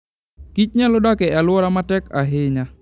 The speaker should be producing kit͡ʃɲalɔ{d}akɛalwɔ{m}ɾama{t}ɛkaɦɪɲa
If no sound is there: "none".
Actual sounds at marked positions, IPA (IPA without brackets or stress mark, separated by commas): d, none, t